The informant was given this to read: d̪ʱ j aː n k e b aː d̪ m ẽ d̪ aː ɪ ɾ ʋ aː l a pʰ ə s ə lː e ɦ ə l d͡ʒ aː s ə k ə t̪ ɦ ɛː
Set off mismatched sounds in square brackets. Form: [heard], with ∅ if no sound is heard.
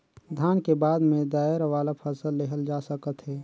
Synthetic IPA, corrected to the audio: d̪ʱ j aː n k e b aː d̪ m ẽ d̪ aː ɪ ɾ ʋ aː l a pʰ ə s ə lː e ɦ ə l d͡ʒ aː s ə k ə t̪ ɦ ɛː